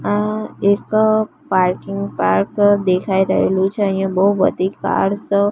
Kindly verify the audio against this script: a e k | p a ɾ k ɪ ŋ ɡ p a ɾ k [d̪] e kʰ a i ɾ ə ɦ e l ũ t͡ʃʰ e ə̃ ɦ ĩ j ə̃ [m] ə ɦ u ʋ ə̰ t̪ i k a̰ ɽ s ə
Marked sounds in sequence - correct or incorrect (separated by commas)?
correct, incorrect